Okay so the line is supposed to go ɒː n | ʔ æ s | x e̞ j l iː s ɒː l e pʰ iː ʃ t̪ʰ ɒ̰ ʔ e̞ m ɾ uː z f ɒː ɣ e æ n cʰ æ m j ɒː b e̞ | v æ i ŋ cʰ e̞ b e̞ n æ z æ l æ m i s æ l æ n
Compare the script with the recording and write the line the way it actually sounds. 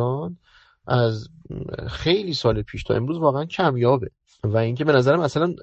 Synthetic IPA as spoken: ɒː n | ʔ æ z | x e̞ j l iː s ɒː l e pʰ iː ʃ t̪ʰ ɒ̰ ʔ e̞ m ɾ uː z v ɒː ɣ e æ n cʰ æ m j ɒː b e̞ | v æ i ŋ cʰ e̞ b e̞ n æ z æ ɾ æ m æ s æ l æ n